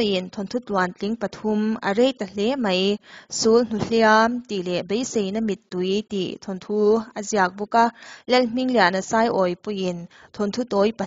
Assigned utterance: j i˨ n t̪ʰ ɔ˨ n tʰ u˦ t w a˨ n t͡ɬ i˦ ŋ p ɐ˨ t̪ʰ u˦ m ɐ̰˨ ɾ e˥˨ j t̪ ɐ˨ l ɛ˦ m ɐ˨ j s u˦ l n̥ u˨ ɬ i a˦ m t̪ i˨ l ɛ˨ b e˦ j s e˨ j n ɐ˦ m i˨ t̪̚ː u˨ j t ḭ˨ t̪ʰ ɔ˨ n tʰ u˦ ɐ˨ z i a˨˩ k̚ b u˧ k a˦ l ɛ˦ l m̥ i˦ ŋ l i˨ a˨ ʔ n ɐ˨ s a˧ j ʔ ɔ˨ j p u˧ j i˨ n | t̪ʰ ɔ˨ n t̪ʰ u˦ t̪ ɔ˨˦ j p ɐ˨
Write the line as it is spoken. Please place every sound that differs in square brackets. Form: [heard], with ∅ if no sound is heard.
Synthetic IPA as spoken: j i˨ n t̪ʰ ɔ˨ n tʰ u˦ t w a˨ n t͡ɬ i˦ ŋ p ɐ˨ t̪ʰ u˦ m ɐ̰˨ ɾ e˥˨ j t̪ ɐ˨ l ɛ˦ m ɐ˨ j s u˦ l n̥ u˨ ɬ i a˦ m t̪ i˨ l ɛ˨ b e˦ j s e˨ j n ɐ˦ m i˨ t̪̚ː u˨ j t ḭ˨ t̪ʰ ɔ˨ n tʰ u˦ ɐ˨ z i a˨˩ k̚ b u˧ k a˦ l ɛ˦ l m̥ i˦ ŋ l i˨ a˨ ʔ n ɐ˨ s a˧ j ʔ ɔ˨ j p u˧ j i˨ n | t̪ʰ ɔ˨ n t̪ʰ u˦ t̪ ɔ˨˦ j p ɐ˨